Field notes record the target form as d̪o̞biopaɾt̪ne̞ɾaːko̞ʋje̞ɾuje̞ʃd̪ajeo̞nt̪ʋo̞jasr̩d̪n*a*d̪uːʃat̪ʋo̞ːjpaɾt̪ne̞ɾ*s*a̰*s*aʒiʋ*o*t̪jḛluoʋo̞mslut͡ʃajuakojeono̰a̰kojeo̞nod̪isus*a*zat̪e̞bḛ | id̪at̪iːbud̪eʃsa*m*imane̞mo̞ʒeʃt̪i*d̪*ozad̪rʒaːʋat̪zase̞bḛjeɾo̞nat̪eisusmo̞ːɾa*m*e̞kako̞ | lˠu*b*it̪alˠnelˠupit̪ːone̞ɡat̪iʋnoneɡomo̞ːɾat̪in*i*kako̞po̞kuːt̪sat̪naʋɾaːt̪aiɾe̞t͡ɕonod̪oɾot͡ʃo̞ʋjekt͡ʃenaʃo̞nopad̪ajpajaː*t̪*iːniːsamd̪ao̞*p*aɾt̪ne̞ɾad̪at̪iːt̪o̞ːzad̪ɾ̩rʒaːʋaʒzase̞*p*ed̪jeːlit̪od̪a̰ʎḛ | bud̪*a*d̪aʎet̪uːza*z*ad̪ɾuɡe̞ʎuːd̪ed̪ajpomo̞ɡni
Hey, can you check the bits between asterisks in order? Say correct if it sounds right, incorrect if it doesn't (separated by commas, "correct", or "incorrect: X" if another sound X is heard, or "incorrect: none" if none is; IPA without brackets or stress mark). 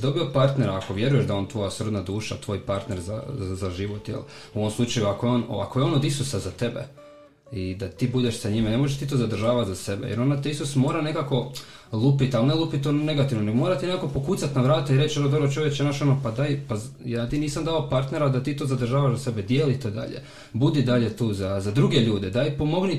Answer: correct, incorrect: z, incorrect: z, correct, correct, incorrect: ɲ, incorrect: t̪, incorrect: n, incorrect: p, incorrect: e, correct, correct, incorrect: b, incorrect: i, correct